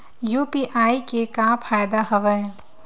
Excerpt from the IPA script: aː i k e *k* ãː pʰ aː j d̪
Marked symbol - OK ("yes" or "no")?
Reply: yes